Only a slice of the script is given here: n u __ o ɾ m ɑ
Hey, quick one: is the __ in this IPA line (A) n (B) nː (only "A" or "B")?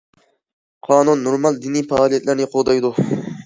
B